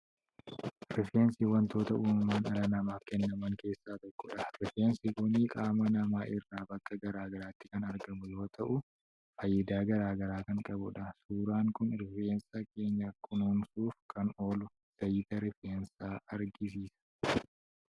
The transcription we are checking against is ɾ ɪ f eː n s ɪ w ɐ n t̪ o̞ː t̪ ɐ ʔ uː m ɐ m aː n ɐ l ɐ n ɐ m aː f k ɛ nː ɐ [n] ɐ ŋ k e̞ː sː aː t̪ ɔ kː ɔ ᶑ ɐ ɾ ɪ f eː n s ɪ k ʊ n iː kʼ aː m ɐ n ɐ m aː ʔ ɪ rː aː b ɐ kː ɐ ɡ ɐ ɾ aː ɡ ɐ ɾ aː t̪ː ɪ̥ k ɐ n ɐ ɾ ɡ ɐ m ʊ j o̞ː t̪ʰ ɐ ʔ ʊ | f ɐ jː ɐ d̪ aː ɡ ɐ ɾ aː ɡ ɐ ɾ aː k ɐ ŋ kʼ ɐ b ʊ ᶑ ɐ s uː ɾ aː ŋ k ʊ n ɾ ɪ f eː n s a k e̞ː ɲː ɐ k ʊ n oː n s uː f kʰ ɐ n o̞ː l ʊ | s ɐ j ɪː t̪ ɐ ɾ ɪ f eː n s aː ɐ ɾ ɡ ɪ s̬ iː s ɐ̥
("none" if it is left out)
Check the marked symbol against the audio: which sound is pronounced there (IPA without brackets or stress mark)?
m